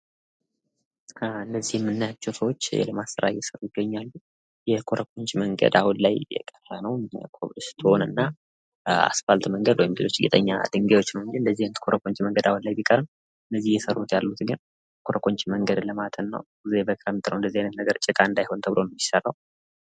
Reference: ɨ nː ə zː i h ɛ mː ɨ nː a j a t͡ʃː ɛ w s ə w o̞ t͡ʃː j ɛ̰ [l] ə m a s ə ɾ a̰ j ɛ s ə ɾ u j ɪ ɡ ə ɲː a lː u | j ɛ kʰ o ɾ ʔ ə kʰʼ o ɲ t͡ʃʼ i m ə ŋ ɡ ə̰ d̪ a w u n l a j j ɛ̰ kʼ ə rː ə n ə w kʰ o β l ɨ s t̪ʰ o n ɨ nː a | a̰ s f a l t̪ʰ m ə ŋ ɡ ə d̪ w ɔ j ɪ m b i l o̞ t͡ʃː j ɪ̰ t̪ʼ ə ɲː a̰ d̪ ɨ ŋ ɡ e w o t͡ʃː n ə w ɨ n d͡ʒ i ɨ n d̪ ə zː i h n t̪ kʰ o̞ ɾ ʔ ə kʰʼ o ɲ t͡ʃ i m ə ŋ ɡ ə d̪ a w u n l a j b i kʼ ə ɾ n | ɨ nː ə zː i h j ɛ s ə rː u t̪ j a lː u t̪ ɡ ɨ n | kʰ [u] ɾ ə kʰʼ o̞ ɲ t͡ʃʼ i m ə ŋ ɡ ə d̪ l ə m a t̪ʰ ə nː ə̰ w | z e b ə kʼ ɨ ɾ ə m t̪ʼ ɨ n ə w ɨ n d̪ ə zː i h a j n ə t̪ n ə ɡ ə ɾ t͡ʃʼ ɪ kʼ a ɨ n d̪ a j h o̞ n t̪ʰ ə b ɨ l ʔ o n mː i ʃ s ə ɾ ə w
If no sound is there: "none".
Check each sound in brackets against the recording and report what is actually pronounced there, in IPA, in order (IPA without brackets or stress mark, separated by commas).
l, o